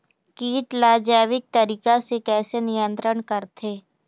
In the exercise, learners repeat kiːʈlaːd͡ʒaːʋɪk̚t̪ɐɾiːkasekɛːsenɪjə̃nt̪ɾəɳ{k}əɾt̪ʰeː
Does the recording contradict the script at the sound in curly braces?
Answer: no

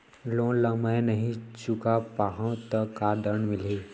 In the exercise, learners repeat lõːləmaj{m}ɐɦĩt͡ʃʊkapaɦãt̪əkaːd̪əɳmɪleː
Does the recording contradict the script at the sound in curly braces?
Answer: yes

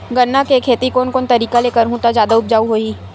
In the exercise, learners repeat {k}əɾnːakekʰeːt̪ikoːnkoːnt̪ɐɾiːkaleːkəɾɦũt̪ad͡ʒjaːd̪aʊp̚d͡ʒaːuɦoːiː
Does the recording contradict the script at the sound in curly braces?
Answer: yes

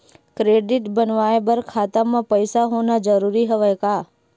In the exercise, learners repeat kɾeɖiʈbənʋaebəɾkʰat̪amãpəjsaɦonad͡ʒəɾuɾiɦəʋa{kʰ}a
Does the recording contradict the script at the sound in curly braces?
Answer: yes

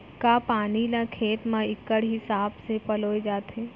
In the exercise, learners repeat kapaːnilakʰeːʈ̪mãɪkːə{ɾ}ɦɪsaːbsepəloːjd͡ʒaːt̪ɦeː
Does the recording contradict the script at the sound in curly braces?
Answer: yes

